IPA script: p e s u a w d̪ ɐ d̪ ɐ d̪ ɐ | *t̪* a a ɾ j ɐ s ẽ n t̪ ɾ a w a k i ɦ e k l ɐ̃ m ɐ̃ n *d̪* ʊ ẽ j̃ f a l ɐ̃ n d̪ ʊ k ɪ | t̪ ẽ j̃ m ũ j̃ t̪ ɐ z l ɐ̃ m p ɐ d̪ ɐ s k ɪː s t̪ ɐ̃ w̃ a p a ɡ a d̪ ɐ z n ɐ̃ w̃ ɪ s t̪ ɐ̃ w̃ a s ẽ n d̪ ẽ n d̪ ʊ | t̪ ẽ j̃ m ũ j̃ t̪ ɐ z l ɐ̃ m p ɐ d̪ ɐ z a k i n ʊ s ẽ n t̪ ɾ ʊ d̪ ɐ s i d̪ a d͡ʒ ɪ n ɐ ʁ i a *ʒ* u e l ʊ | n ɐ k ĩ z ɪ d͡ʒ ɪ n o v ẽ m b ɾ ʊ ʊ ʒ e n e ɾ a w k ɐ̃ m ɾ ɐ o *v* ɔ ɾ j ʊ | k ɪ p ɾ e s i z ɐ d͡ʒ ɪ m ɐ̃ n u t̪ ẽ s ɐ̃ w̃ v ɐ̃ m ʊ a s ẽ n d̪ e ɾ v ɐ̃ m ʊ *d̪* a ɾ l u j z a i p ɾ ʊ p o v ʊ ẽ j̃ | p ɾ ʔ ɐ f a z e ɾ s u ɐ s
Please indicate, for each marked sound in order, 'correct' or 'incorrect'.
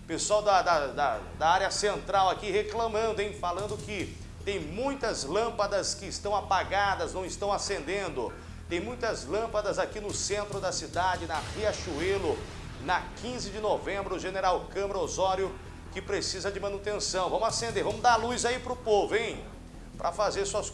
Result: incorrect: d̪, correct, incorrect: ʃ, incorrect: z, correct

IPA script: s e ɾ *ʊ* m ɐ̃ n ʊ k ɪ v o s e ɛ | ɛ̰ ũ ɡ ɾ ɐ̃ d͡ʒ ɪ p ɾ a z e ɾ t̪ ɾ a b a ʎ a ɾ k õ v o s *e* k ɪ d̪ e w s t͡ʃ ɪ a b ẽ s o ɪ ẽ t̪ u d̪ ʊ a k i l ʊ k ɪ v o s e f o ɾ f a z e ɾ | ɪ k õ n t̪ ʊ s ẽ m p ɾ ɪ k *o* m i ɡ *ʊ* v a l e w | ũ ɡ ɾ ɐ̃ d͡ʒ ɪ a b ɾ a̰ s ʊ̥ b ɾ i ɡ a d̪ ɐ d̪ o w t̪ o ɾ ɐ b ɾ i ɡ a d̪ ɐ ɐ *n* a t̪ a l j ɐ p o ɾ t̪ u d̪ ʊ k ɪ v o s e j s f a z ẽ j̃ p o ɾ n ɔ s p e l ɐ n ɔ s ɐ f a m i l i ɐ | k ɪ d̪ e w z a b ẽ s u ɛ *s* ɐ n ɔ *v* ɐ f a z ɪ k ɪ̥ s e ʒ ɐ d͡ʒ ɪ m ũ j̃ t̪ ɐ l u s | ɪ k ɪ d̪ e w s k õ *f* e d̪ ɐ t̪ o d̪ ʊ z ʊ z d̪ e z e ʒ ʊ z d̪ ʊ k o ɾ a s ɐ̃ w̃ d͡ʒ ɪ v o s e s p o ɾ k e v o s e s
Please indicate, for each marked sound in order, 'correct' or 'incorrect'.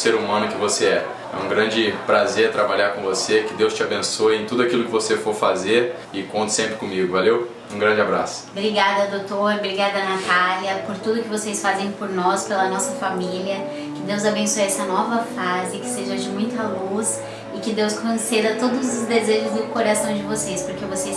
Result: incorrect: u, correct, incorrect: õ, correct, correct, correct, correct, incorrect: s

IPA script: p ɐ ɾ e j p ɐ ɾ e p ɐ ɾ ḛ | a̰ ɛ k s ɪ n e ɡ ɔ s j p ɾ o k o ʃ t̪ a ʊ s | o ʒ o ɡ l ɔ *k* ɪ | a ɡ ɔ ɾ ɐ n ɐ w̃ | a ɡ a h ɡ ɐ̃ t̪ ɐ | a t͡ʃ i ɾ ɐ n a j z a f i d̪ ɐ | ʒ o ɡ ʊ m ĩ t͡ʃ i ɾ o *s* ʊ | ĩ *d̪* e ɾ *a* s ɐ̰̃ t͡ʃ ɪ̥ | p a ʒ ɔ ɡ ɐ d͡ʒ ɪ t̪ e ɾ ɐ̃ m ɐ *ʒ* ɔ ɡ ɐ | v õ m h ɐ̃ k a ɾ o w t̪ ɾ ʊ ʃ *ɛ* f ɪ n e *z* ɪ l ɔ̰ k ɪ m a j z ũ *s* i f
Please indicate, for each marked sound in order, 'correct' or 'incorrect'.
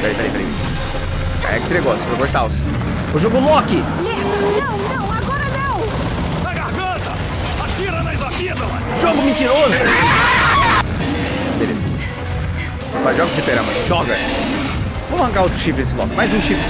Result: correct, incorrect: z, incorrect: t̪, incorrect: e, correct, incorrect: i, incorrect: s, incorrect: ʃ

